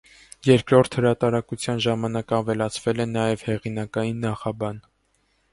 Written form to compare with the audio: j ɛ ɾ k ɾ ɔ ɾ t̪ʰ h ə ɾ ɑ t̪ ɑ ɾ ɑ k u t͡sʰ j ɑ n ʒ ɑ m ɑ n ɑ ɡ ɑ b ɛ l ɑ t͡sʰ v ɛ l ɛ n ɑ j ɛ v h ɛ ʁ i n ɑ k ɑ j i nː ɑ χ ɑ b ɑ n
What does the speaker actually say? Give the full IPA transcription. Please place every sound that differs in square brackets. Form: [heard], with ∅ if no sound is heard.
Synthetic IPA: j ɛ ɾ k ɾ ɔ ɾ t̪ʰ h ə ɾ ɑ t̪ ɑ ɾ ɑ k u t͡sʰ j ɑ n ʒ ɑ m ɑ n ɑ [k] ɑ [v] ɛ l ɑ t͡sʰ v ɛ l ɛ n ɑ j ɛ v h ɛ ʁ i n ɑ k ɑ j i nː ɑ χ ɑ b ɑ n